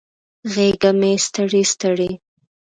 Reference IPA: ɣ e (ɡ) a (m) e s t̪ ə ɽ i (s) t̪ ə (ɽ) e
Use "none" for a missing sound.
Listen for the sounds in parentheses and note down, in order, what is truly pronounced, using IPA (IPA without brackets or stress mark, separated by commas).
ɡ, m, s, ɽ